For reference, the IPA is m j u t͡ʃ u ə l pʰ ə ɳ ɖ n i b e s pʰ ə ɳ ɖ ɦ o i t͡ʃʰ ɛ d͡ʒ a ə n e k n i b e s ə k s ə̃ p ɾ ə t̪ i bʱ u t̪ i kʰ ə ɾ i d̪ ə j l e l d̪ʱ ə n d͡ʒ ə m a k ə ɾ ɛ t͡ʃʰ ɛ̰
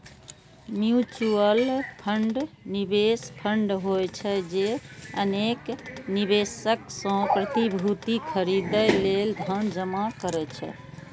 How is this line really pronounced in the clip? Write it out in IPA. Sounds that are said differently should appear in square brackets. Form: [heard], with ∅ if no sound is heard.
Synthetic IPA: m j u t͡ʃ u ə l pʰ ə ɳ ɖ n i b e s pʰ ə ɳ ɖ ɦ o [j] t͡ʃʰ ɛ d͡ʒ [e] ə n e k n i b e s ə k s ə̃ p ɾ ə t̪ i bʱ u t̪ i kʰ ə ɾ i d̪ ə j l e l d̪ʱ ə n d͡ʒ ə m a k ə ɾ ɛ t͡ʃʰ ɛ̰